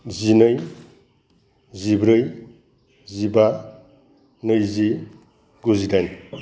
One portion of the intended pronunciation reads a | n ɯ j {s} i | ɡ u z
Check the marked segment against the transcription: incorrect: z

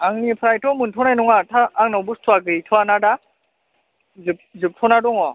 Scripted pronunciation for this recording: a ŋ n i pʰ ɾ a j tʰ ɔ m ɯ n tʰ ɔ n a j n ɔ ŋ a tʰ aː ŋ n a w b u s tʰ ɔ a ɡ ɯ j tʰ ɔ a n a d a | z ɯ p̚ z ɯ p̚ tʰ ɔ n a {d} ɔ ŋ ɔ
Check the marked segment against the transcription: correct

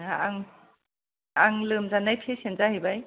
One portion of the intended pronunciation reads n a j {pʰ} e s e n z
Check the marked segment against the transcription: correct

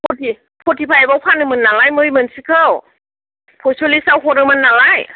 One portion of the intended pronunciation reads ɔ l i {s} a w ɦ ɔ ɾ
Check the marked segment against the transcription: correct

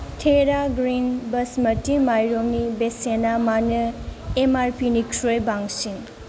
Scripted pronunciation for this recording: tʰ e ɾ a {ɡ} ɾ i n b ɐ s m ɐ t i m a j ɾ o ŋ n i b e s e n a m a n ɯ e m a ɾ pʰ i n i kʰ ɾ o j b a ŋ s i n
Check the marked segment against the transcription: correct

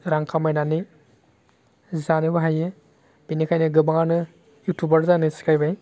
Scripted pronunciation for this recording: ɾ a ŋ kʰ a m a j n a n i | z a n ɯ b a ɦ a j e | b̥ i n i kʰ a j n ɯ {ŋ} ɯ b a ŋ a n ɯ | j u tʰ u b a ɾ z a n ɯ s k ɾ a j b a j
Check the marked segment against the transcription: incorrect: ɡ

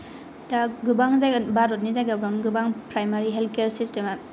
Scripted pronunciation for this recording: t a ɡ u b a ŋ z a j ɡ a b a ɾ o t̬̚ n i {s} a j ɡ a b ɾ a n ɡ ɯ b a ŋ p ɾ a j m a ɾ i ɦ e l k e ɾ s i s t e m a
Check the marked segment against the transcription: incorrect: z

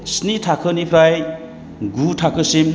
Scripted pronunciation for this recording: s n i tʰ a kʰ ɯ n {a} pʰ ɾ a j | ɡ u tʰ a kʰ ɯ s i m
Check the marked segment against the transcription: incorrect: i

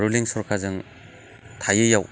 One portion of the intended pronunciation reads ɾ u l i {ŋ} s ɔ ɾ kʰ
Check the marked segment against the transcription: correct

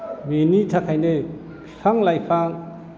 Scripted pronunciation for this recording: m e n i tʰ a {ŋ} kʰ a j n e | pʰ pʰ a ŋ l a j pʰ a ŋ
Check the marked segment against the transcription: incorrect: none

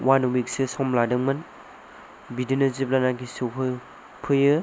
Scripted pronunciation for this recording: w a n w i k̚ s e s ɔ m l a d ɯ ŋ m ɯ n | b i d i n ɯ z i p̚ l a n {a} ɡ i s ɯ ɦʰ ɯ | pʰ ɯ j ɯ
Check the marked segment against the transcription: correct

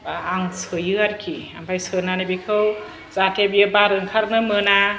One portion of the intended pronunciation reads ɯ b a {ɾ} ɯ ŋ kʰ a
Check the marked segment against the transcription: correct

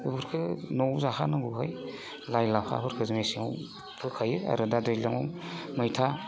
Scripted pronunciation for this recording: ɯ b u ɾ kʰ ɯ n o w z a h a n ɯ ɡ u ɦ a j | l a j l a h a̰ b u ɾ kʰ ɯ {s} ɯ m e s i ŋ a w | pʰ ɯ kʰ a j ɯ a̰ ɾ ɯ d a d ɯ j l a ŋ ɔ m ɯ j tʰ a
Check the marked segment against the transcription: incorrect: z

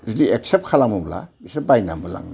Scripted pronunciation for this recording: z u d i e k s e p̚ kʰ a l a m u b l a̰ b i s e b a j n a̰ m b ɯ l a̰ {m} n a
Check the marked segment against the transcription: incorrect: ŋ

